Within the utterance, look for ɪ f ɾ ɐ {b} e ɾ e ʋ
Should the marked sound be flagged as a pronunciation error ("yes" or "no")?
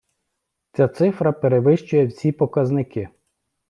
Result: yes